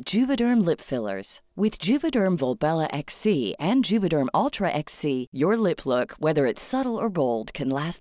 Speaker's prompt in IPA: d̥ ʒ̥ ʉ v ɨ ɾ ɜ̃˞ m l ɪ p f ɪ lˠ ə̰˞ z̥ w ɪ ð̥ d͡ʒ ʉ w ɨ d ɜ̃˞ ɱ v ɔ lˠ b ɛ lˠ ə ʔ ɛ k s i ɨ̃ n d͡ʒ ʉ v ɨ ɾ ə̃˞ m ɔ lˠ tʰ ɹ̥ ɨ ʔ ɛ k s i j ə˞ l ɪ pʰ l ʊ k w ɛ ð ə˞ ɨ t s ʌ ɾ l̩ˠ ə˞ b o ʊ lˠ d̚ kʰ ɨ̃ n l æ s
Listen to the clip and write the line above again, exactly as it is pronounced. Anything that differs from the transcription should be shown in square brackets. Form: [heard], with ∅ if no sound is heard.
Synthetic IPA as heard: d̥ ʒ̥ ʉ v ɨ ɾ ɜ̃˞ m l ɪ p f ɪ lˠ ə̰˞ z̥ w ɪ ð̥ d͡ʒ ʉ [v] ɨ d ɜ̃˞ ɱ v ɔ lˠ b ɛ lˠ ə ʔ ɛ k s i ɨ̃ n d͡ʒ ʉ v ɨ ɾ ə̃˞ m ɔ lˠ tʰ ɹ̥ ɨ ʔ ɛ k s i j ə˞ l ɪ pʰ l ʊ k w ɛ ð ə˞ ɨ t s ʌ ɾ l̩ˠ ə˞ b o ʊ lˠ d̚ kʰ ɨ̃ n l æ s